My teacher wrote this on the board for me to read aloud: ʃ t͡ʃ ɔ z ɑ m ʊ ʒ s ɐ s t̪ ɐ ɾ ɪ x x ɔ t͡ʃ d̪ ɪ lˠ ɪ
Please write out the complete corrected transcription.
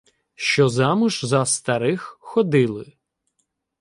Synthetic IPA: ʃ t͡ʃ ɔ z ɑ m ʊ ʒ z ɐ s t̪ ɐ ɾ ɪ x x ɔ d̪ ɪ lˠ ɪ